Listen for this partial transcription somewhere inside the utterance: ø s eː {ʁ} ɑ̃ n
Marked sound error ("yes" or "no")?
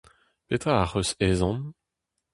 yes